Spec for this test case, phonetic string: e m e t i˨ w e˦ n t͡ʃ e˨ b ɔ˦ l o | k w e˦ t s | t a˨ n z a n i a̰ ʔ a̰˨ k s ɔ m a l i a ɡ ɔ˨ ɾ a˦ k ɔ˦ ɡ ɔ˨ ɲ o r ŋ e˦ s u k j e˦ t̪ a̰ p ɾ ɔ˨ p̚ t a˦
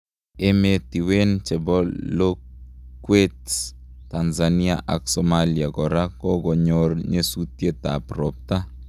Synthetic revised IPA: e m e t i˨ w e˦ n t͡ʃ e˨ b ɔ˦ l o | k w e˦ t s | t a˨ n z a n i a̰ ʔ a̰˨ k s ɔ m a l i a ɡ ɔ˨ ɾ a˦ k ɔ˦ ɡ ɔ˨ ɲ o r ɲ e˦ s u t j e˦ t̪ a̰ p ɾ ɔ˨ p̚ t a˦